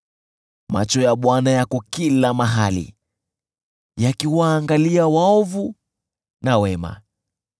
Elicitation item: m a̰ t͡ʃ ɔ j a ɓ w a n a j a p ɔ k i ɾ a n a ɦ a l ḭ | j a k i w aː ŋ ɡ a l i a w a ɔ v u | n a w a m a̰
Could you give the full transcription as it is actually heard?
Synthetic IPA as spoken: m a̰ t͡ʃ ɔ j a ɓ w a n a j a k ɔ k i l a m a ɦ a l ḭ | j a k i w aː ŋ ɡ a l i a w a ɔ v u | n a w ɛ m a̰